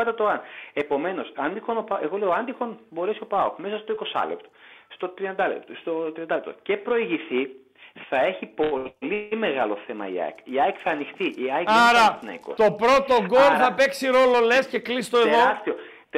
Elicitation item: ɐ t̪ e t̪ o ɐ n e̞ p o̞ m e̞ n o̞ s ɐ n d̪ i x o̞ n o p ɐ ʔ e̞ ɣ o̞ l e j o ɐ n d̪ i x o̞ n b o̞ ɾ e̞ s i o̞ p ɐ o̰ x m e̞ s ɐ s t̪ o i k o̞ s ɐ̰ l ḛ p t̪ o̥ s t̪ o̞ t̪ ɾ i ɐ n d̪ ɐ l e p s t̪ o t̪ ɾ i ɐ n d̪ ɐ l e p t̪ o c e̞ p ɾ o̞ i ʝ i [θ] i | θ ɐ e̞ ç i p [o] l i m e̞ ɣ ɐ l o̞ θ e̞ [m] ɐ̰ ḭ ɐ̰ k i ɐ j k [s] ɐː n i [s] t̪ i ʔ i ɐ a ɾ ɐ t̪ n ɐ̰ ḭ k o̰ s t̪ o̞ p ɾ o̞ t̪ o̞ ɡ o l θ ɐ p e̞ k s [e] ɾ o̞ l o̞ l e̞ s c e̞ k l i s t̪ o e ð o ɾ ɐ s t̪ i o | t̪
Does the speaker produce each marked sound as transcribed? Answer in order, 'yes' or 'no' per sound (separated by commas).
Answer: yes, yes, yes, no, no, no